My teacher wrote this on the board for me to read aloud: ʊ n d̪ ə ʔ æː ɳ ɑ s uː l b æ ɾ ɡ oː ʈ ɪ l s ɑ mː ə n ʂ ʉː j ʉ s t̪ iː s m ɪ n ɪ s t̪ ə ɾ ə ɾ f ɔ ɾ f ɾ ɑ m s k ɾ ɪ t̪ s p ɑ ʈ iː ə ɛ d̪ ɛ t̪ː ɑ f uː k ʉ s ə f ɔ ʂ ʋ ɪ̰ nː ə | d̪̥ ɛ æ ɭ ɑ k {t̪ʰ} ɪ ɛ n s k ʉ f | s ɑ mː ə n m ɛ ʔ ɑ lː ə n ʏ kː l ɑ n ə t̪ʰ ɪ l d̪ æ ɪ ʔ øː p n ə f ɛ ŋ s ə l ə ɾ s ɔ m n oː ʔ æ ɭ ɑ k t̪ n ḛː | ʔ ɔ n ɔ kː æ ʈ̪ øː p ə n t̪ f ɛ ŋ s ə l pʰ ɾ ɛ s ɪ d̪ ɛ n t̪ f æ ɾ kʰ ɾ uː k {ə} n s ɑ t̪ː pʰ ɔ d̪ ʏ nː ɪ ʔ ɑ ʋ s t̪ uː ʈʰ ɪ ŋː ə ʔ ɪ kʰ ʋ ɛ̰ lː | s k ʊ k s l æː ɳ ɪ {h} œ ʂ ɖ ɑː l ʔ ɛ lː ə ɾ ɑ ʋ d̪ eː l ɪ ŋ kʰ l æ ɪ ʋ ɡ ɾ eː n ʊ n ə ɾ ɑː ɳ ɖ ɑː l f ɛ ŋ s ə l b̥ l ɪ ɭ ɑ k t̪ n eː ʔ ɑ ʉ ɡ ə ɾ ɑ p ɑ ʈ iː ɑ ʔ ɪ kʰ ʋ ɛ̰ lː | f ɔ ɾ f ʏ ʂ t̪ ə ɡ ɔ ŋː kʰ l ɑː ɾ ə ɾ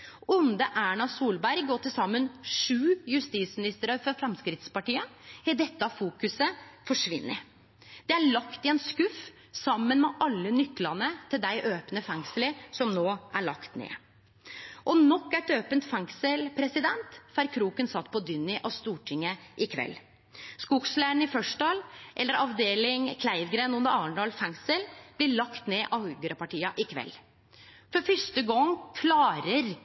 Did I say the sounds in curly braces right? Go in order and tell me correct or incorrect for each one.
incorrect: t̪, correct, incorrect: f

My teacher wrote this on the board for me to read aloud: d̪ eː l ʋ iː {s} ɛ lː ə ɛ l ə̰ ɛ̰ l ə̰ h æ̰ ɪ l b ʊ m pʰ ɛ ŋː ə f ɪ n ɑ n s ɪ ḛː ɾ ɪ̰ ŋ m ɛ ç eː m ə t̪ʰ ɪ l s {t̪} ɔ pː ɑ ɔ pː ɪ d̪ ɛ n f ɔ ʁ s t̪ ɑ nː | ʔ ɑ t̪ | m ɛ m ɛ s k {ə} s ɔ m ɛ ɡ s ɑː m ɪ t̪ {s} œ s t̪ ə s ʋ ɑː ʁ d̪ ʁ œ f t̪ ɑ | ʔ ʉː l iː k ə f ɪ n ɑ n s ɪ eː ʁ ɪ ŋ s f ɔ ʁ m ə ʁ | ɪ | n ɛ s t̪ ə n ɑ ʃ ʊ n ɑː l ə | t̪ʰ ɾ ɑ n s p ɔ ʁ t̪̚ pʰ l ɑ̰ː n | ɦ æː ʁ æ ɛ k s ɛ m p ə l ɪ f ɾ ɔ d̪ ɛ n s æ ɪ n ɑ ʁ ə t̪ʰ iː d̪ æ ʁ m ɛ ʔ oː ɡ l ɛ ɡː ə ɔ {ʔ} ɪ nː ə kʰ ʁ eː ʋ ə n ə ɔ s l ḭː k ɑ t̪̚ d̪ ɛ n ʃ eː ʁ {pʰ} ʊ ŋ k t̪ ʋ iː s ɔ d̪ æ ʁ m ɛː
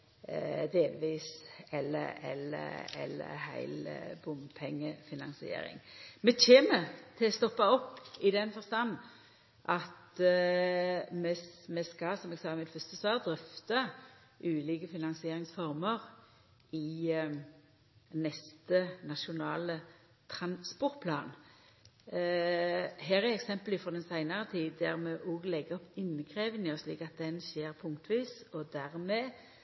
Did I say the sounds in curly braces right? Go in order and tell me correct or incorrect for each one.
correct, correct, incorrect: ɑ, incorrect: f, incorrect: p, correct

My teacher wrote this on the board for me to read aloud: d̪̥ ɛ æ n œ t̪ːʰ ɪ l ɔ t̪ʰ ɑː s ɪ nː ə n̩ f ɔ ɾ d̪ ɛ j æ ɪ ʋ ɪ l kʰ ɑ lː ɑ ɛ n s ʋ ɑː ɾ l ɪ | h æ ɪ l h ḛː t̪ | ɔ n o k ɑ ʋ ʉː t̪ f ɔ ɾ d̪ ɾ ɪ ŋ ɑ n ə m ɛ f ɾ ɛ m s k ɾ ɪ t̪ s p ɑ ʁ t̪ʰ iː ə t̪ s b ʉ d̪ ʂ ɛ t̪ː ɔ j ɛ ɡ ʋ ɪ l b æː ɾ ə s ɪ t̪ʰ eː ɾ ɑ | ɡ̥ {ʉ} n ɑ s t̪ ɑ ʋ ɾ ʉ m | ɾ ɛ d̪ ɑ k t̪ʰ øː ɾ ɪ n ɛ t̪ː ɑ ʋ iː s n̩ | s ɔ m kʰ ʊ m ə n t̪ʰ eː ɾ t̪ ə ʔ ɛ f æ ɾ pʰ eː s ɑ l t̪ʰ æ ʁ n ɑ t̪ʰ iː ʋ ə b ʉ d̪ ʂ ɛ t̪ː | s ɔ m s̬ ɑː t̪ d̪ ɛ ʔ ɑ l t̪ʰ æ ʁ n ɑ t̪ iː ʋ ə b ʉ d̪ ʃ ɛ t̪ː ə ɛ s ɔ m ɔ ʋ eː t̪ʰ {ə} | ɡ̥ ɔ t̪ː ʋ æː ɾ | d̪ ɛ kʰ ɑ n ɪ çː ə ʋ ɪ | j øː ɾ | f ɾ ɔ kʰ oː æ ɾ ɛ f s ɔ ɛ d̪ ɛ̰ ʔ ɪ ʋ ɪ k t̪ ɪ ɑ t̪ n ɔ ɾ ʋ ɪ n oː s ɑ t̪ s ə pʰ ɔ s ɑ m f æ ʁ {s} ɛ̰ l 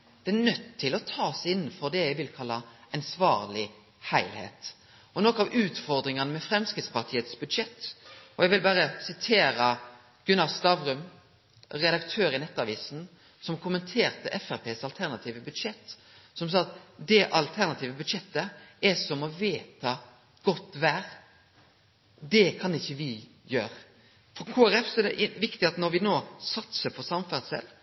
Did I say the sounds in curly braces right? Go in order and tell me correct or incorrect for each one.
correct, incorrect: ɑ, correct

